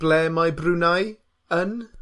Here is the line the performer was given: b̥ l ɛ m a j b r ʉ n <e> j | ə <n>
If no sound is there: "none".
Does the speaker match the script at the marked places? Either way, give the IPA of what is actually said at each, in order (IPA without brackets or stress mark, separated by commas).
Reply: a, n